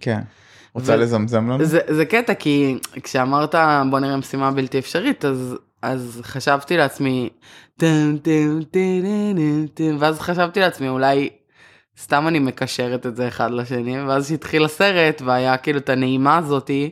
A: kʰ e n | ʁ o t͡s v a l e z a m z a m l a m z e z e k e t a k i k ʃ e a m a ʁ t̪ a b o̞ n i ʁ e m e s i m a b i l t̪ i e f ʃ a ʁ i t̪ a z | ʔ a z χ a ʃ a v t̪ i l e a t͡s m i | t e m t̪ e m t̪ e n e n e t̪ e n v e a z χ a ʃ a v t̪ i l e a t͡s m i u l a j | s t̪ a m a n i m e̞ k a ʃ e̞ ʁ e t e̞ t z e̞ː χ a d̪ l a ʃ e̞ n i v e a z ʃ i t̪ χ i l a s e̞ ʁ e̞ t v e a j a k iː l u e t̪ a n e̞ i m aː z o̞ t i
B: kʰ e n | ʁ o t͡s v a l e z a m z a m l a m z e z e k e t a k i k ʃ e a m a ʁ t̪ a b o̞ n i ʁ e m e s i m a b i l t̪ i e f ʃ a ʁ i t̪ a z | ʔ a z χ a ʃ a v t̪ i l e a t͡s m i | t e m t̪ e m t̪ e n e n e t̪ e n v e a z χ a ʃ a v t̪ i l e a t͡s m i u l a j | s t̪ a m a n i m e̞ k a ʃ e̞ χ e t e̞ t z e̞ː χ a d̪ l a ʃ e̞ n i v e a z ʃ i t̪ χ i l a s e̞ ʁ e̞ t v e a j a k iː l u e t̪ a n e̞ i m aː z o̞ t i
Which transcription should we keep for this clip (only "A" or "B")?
A